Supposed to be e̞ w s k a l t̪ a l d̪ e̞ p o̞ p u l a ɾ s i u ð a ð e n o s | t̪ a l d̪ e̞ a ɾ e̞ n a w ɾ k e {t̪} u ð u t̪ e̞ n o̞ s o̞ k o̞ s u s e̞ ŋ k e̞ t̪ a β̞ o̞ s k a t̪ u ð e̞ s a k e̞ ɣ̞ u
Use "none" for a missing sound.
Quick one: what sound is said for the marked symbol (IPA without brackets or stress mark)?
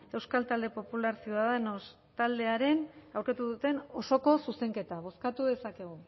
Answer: t̪